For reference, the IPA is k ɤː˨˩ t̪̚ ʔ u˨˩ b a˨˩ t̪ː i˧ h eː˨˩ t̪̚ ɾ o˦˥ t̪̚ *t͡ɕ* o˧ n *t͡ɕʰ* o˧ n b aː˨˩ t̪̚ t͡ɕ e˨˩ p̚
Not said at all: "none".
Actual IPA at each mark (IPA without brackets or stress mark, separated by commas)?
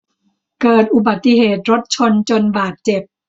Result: t͡ɕʰ, t͡ɕ